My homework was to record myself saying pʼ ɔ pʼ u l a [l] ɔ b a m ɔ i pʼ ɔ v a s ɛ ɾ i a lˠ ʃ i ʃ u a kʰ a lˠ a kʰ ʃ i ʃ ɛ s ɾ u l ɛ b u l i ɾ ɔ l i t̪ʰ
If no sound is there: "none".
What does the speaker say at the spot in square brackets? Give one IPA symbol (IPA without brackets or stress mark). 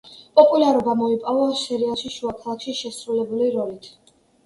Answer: ɾ